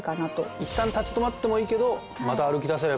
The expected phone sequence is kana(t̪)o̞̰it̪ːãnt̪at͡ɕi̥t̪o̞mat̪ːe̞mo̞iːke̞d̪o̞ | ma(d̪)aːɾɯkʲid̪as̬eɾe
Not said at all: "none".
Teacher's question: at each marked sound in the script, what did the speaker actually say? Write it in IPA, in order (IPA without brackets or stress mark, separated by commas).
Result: t̪, t̪